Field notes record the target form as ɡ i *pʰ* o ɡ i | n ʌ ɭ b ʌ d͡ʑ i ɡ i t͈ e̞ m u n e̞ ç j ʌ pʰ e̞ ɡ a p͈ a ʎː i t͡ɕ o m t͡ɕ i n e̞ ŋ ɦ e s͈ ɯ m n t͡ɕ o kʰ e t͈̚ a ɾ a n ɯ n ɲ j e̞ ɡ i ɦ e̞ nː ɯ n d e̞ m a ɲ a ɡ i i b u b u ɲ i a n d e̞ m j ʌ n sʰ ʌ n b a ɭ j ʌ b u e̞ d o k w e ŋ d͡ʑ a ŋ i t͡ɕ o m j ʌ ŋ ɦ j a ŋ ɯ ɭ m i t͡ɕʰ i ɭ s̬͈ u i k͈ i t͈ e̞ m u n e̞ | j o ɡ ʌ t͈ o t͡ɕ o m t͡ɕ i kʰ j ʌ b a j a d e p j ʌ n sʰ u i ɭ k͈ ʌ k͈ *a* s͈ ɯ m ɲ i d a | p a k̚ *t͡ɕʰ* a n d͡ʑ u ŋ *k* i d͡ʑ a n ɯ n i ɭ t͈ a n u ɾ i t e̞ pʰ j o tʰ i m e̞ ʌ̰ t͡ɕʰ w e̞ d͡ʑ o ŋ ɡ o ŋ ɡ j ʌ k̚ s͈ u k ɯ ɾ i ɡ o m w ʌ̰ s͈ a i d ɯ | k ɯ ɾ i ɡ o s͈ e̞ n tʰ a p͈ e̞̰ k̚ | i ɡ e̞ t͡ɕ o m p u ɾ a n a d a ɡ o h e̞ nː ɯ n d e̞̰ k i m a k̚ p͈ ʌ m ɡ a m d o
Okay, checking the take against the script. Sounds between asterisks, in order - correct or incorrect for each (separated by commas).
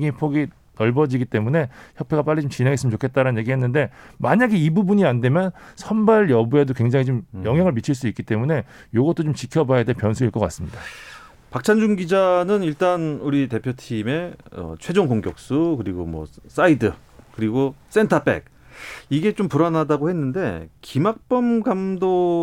correct, correct, correct, incorrect